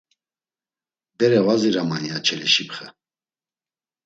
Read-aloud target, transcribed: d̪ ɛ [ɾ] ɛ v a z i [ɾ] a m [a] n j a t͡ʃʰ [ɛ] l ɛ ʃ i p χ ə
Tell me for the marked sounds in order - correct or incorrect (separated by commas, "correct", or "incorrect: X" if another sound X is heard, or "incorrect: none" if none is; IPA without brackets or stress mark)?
correct, correct, correct, correct